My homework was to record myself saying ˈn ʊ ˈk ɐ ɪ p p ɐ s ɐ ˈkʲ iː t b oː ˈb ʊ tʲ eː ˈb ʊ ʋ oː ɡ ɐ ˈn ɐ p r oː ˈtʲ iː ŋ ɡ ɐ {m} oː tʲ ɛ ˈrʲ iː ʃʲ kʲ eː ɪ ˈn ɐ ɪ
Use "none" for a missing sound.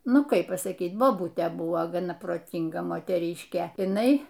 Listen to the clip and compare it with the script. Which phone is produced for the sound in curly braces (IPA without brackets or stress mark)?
m